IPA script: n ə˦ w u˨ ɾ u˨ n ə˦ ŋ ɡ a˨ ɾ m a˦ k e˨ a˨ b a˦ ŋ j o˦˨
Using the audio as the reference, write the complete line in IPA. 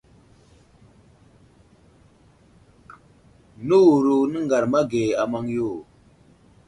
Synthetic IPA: n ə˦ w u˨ ɾ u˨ n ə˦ ŋ ɡ a˨ ɾ m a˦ ɡ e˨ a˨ m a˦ ŋ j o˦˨